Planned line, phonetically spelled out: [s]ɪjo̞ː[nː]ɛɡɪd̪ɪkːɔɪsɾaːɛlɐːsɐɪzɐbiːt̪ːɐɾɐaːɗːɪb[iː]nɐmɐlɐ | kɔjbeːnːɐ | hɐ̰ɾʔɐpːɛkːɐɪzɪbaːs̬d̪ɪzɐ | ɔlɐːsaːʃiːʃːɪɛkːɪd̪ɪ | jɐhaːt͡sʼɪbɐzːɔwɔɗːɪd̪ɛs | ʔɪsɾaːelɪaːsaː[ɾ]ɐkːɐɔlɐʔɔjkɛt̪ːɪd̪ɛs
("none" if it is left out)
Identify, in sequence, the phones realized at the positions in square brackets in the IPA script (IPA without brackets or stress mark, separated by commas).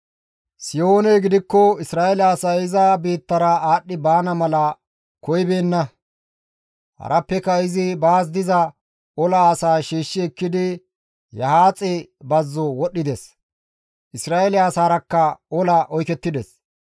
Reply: s, n, aː, ɾ